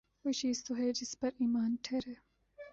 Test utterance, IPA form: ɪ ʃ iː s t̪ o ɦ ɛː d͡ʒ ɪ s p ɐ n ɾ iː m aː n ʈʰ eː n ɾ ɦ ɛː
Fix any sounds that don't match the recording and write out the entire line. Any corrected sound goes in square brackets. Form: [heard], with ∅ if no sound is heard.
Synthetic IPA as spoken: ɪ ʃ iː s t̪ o ɦ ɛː d͡ʒ ɪ s p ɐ [∅] ɾ iː m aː n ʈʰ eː [∅] ɾ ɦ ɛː